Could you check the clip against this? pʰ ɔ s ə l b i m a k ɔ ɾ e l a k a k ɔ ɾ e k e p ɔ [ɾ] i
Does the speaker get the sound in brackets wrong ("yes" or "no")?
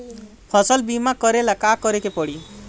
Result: yes